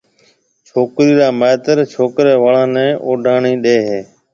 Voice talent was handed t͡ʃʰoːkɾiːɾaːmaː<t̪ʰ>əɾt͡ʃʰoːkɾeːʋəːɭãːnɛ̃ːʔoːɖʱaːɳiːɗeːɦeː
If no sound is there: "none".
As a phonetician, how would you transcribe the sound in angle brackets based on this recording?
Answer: t̪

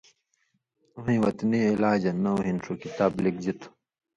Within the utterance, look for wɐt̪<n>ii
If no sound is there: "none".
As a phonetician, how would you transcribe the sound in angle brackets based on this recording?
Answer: n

